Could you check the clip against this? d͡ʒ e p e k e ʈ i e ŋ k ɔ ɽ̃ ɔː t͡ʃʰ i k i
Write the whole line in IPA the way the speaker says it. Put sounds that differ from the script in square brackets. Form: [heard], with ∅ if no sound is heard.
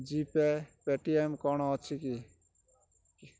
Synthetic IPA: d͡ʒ [i] p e [p] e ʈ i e [m] k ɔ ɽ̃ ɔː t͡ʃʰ i k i